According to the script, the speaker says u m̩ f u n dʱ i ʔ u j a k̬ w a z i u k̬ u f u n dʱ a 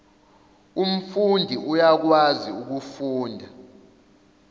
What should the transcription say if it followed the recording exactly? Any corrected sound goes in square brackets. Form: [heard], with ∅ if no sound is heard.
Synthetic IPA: u m̩ f u n dʱ i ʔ u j a k̬ w a z i u k̬ u f [uː] n dʱ a

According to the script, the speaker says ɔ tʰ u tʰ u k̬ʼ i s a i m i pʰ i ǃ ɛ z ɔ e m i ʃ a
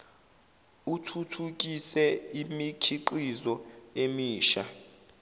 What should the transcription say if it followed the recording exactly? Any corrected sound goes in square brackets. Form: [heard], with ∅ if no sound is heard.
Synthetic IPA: [u] tʰ u tʰ u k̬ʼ i s [ɛ] i m i [kʰ] i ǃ [i] z ɔ e m [iː] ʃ a

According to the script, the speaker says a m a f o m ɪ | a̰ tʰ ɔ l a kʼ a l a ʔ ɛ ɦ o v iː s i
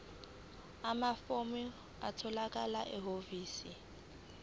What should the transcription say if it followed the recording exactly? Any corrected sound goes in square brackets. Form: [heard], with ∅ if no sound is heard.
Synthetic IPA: a m a f o m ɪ | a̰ tʰ ɔ l a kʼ a l a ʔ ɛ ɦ o v iː s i

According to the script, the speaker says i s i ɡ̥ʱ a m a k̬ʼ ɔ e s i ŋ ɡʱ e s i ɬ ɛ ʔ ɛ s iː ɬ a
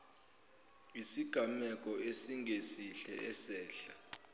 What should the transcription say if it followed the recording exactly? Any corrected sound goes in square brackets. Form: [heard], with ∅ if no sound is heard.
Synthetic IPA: i s i ɡ̥ʱ a m [ɛ] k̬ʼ ɔ e s i ŋ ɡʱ e s i ɬ ɛ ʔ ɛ s [ɛː] ɬ a

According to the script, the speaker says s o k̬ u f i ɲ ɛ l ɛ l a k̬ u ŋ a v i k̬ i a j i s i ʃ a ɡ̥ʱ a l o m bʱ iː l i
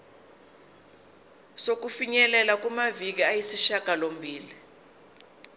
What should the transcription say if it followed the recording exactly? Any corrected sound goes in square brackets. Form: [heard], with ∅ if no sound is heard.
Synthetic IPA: s o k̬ u f i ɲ ɛ l ɛ l a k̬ u [m] a v i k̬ i a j i s i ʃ a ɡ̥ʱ a l o m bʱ iː l i

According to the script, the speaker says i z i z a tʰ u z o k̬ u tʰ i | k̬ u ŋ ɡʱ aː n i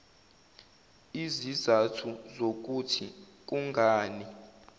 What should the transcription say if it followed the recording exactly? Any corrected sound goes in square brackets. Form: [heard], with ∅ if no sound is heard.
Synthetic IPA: i z i z a tʰ u z o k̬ u tʰ i | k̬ u ŋ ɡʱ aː n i

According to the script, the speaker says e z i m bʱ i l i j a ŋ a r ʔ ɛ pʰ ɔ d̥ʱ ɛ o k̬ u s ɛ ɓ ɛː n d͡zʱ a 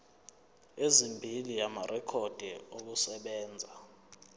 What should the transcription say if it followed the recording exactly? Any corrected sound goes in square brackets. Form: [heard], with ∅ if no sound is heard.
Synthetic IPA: e z i m bʱ i l i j a [m] a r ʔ ɛ [kʰ] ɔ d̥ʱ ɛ o k̬ u s ɛ ɓ ɛː n d͡zʱ a

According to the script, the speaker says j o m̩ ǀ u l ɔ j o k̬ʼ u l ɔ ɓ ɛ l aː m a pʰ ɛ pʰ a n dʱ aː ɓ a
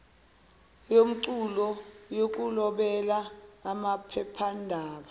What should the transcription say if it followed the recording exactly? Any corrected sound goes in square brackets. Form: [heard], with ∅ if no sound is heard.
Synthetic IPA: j o m̩ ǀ u l ɔ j o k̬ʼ u l ɔ ɓ ɛ l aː m a pʰ ɛ pʰ a n dʱ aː ɓ a

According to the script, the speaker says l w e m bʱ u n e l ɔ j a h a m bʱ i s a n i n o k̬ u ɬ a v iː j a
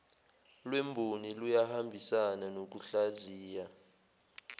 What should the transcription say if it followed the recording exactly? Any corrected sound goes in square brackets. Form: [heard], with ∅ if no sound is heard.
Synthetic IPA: l w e m bʱ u n [i] l [u] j a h a m bʱ i s a n [a] n o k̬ u ɬ a [z] iː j a

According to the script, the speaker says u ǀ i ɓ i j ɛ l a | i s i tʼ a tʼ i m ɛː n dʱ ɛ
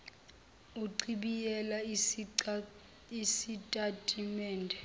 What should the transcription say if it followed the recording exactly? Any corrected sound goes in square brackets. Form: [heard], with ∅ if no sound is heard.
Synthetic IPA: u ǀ i ɓ i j ɛ l a | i s i tʼ a tʼ i m ɛː n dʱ ɛ

